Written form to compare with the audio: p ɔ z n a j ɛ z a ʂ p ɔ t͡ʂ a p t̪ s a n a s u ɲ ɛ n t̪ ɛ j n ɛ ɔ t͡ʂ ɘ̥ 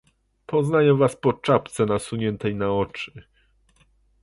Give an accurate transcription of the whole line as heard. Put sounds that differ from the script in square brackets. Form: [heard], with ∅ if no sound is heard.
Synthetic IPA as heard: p ɔ z n a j ɛ [v] a [s] p ɔ t͡ʂ a p t̪ s [ɛ] n a s u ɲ ɛ n t̪ ɛ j n [a] ɔ t͡ʂ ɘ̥